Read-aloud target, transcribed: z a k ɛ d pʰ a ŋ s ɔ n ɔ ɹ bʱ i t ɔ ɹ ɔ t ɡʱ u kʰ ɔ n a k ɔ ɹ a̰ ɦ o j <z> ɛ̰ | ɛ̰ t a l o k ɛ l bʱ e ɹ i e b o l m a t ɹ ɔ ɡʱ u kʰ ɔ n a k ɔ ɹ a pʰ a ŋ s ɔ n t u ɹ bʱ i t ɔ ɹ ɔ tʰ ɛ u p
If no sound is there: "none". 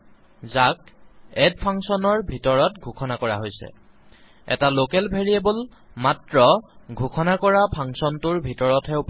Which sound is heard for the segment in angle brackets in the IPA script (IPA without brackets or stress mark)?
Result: s